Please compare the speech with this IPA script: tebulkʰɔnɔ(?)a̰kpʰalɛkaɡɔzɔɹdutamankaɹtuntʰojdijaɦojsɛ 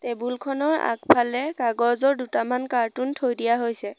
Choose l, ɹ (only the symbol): ɹ